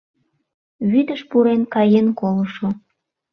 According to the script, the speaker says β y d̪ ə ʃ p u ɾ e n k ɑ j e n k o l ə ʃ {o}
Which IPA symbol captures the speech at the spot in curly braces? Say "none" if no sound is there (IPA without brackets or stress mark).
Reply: o